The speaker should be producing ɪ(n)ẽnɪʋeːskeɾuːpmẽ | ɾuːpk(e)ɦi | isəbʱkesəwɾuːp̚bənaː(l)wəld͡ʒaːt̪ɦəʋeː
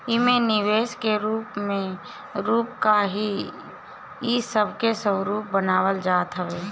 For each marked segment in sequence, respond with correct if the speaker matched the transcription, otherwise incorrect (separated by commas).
incorrect, incorrect, incorrect